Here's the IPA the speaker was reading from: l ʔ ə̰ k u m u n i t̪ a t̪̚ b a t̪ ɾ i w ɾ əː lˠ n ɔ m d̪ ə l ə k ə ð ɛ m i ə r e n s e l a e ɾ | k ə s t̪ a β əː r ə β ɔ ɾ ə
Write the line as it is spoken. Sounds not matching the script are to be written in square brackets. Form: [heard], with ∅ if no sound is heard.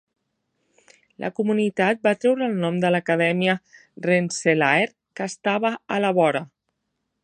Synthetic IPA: l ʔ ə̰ k u m u n i t̪ a t̪̚ b a t̪ ɾ [ɛ] w ɾ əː lˠ n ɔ m d̪ ə l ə k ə ð ɛ m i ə r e n s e l a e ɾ | k ə s t̪ a β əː [l] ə β ɔ ɾ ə

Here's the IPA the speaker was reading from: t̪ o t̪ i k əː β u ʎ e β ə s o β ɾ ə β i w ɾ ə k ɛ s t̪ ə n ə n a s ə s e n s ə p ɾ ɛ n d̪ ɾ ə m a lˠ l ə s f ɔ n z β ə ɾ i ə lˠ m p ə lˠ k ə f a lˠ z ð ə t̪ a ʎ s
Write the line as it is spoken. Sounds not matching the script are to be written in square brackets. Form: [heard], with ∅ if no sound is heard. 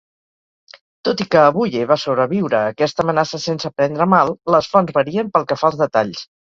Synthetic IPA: t̪ o t̪ i k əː β u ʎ e β [a] s o β ɾ ə β i w ɾ [əː] k ɛ s t̪ ə [m] ə n a s ə s e n s ə p ɾ ɛ n d̪ ɾ ə m a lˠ l ə s f ɔ n z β ə ɾ i ə [∅] m p ə lˠ k ə f a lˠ z ð ə t̪ a ʎ s

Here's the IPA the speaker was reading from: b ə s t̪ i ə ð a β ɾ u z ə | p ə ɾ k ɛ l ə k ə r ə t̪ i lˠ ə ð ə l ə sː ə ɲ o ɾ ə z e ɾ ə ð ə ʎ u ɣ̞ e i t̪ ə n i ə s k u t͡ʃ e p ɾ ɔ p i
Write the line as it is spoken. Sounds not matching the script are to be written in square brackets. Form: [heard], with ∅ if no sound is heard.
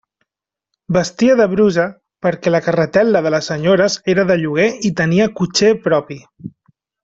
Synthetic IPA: b ə s t̪ i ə ð [ə] β ɾ u z ə | p ə ɾ k ɛ l ə k ə r ə t̪ [ɛ] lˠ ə ð ə l ə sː ə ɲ o ɾ ə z e ɾ ə ð ə ʎ u ɣ̞ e i t̪ ə n i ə [∅] k u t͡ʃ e p ɾ ɔ p i

